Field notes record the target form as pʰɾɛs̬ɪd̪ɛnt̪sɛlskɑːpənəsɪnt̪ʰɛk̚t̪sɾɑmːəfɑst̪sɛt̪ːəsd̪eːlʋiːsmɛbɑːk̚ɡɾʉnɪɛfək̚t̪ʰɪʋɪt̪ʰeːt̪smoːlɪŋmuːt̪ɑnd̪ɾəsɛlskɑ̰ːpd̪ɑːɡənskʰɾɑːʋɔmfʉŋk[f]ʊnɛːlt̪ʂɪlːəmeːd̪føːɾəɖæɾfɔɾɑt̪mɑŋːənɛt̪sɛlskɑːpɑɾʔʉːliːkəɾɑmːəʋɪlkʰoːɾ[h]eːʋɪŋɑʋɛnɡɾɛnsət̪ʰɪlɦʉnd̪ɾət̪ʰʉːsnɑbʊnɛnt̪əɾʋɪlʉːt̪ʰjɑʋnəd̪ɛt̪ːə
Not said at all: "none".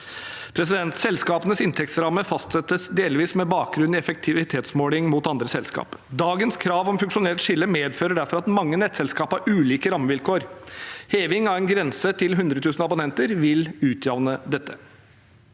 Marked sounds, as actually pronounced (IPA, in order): ʂ, h

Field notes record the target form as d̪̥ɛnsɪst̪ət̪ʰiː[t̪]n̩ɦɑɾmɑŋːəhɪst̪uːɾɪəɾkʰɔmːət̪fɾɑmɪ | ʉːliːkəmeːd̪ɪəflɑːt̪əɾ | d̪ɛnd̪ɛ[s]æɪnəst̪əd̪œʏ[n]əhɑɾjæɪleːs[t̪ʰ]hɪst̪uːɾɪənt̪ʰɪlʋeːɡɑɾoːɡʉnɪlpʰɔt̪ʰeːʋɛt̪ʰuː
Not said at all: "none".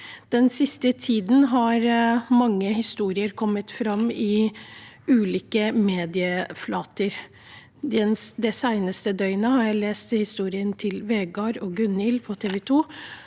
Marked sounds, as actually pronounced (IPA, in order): d̪, s, n, t̪

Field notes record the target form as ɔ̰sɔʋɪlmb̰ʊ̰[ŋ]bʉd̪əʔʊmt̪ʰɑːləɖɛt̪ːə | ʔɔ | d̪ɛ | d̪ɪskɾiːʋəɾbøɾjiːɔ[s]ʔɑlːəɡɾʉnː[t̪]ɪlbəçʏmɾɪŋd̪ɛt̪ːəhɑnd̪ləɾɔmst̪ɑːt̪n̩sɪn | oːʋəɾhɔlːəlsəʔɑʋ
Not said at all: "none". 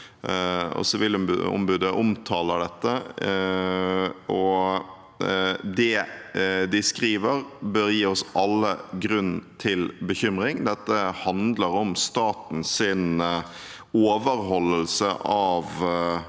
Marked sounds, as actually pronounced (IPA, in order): m, s, t̪ʰ

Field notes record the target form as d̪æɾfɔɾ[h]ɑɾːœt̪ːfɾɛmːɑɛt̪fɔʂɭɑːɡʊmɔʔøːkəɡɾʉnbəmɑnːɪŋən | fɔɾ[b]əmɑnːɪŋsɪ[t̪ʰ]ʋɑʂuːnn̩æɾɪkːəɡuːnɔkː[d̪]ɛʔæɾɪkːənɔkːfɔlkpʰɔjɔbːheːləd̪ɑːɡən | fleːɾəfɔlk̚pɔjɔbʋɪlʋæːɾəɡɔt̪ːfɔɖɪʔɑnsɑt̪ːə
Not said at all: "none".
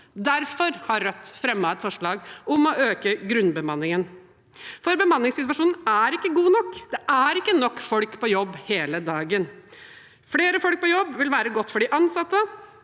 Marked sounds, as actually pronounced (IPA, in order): h, b, t̪, d̪

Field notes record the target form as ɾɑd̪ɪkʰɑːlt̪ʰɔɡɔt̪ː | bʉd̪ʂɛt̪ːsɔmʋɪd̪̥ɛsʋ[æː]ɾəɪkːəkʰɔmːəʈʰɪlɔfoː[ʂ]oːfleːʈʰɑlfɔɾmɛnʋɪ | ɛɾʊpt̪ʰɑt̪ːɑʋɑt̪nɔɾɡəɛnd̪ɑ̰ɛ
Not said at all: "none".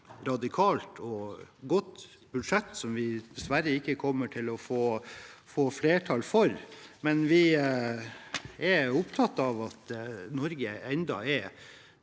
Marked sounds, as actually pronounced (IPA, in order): æ, f

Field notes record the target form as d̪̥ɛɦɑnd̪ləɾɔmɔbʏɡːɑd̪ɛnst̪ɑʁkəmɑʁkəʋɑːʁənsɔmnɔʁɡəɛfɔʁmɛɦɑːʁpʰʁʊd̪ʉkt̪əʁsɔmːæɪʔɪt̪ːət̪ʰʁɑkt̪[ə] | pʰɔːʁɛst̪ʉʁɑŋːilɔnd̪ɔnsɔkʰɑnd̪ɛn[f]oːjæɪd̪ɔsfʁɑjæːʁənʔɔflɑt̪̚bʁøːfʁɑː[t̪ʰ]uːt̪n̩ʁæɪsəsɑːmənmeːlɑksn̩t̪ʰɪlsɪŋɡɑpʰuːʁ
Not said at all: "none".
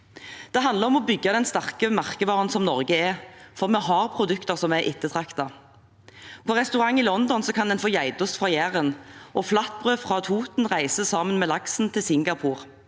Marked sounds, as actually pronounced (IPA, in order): ɑ, f, t̪ʰ

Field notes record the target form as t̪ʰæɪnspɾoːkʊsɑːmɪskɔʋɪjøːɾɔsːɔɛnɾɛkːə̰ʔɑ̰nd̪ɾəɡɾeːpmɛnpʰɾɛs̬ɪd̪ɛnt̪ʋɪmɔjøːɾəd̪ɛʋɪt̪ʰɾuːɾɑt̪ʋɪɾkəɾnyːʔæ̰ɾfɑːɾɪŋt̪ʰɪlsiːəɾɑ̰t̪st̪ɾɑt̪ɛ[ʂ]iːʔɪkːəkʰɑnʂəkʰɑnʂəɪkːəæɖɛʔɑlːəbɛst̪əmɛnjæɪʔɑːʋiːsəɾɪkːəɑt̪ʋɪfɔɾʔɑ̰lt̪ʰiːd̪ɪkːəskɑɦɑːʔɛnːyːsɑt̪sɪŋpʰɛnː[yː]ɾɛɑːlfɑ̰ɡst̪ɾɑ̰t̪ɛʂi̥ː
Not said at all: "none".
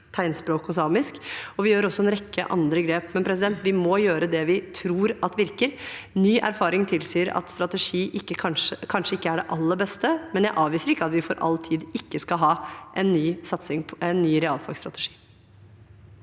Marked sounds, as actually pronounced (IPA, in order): ʂ, yː

